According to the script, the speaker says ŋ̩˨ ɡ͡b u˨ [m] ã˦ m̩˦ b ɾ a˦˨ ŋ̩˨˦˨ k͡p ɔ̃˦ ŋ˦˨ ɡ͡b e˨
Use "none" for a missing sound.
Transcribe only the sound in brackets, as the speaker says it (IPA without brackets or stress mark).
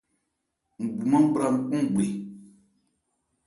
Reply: m